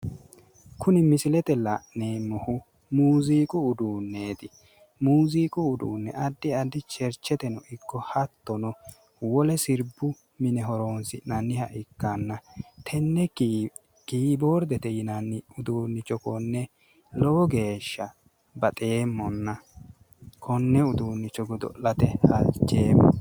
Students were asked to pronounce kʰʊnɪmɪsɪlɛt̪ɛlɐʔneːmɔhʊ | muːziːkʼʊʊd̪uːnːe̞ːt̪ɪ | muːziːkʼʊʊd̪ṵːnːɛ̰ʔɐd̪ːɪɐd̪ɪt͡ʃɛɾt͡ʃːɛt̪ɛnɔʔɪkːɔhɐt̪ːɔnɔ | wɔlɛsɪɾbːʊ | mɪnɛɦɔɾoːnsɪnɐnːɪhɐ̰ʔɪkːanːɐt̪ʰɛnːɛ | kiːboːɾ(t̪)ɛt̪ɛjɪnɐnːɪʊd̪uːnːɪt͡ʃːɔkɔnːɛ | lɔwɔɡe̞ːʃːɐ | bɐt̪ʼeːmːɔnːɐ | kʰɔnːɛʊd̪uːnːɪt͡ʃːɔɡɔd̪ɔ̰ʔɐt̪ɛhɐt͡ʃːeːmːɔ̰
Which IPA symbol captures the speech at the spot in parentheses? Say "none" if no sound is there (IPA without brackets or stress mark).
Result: d̪